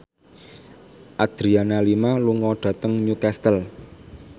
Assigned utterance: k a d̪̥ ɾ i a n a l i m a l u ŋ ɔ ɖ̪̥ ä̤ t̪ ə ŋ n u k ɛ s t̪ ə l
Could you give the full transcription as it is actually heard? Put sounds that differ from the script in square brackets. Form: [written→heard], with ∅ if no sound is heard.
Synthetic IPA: [k→ʔ] a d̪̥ ɾ i a n a l i m a l u ŋ ɔ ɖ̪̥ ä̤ t̪ ə ŋ [n→ɲ] u k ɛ s t̪ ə l